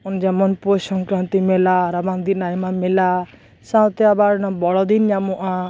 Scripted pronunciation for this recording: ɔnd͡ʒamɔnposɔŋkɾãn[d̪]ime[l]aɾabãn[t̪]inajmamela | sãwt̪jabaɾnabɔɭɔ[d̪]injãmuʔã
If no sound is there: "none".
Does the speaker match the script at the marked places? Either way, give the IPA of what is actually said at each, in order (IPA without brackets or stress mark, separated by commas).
t̪, l, d̪, d̪